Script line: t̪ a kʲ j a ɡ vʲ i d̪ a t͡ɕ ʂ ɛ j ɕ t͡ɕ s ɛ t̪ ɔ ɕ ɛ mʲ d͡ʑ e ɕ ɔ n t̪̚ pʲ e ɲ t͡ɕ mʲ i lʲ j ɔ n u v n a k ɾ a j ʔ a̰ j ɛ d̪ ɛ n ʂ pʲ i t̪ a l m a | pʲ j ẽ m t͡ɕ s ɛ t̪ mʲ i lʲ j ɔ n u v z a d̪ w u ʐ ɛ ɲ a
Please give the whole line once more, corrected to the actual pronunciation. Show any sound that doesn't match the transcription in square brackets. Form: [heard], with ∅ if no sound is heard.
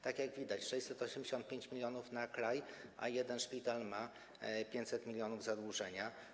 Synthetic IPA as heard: t̪ a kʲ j a ɡ vʲ i d̪ a t͡ɕ ʂ ɛ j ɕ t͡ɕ s ɛ t̪ ɔ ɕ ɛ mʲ d͡ʑ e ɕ ɔ n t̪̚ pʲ e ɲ t͡ɕ mʲ i lʲ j ɔ n u [f] n a k ɾ a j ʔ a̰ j ɛ d̪ ɛ n ʂ pʲ i t̪ a l m a | pʲ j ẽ [ɲ] t͡ɕ s ɛ t̪ mʲ i lʲ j ɔ n u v z a d̪ w u ʐ ɛ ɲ a